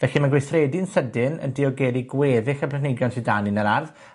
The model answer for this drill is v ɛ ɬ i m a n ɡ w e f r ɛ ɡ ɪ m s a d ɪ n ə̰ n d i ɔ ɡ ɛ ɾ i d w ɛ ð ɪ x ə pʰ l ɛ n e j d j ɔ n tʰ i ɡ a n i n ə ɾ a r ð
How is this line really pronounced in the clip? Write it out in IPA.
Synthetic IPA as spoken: v ɛ ɬ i m a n ɡ w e θ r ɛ d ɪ n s ə d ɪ n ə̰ n d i ɔ ɡ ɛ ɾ i ɡ w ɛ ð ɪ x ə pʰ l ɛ n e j ɡ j ɔ n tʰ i d a n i n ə ɾ a r ð